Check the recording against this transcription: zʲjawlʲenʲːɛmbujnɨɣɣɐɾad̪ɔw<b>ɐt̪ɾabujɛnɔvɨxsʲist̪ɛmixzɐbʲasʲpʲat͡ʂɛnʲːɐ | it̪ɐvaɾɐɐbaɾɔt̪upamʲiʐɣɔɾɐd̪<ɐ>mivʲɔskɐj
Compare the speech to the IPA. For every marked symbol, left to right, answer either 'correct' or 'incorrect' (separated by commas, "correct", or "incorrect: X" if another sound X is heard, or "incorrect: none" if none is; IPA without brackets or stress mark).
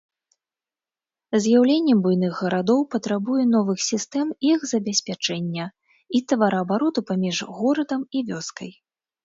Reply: incorrect: p, correct